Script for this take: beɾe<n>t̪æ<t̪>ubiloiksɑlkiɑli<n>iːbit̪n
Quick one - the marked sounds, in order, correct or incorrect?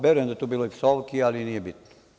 correct, correct, correct

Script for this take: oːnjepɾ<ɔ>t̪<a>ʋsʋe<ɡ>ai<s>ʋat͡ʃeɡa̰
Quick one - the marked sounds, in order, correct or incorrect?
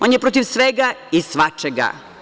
incorrect: o, incorrect: i, correct, correct

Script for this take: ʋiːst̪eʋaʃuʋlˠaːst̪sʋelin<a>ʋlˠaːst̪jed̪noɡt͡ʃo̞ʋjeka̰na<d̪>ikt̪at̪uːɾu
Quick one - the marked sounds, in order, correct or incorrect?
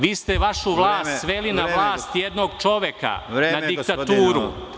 correct, correct

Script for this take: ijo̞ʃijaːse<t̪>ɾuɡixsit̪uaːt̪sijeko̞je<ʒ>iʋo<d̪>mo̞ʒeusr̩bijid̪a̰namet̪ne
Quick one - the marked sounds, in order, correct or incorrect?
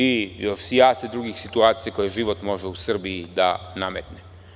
incorrect: d̪, correct, incorrect: t̪

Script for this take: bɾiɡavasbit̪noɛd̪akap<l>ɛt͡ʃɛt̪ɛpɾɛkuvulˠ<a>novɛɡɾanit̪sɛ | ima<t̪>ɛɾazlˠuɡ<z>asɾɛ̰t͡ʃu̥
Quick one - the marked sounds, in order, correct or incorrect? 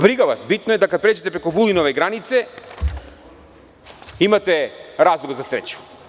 incorrect: ɾ, incorrect: i, correct, correct

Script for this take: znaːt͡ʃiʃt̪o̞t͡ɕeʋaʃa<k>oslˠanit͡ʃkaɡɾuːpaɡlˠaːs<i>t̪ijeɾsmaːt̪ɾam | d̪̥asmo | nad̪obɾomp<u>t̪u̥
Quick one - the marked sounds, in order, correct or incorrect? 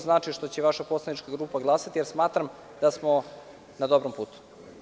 incorrect: p, incorrect: a, incorrect: uː

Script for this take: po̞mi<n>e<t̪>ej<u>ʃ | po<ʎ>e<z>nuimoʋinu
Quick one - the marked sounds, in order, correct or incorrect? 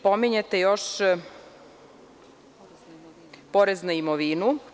incorrect: ɲ, correct, incorrect: o, incorrect: ɾ, correct

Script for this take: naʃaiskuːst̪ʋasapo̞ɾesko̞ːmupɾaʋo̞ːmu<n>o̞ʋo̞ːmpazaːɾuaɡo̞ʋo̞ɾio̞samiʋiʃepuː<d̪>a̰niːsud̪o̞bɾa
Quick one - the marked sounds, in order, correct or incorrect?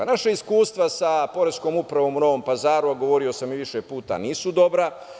correct, incorrect: t̪

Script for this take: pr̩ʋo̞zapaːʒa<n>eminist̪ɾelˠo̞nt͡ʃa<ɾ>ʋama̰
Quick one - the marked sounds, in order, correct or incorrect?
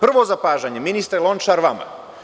incorrect: ɲ, correct

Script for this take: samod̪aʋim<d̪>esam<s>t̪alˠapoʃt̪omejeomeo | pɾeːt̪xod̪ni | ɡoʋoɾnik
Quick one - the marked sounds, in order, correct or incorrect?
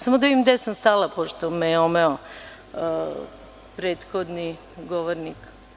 correct, correct

